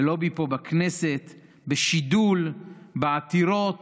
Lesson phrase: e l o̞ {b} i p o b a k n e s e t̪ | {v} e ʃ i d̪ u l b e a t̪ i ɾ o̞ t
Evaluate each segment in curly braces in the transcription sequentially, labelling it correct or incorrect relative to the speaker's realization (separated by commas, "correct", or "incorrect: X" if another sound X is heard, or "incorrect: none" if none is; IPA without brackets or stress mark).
correct, incorrect: b